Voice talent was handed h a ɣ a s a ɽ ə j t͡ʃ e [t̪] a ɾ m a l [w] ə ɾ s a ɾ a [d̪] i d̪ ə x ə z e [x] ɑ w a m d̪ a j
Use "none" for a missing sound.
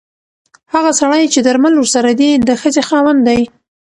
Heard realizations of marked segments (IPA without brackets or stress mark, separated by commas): d̪, w, d̪, x